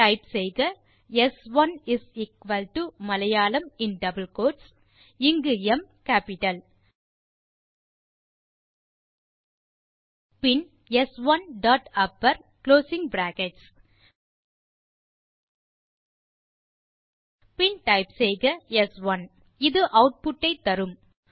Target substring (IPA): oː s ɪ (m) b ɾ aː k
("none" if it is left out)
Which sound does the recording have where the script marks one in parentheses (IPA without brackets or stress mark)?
ŋ